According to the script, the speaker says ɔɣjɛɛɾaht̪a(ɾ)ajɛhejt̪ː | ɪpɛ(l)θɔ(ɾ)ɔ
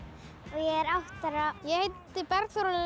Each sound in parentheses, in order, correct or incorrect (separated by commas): correct, incorrect, correct